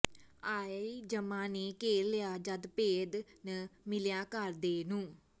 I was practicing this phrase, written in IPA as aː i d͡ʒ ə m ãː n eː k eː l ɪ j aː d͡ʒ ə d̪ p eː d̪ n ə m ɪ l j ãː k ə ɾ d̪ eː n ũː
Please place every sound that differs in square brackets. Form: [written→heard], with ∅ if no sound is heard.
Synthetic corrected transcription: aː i d͡ʒ ə m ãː n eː k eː l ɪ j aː d͡ʒ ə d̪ p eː d̪ n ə m ɪ l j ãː k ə ɾ d̪ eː n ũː